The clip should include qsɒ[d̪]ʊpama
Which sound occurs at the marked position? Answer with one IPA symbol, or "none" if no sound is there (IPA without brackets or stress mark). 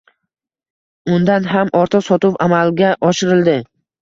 t̪